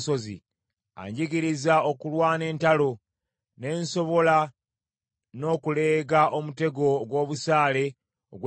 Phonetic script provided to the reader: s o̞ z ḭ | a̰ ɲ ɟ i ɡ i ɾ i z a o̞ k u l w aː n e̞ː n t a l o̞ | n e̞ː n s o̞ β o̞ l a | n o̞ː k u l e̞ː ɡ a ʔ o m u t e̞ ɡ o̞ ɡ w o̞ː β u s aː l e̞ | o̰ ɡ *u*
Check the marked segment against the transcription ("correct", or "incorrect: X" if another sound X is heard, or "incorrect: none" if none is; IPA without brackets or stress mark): incorrect: w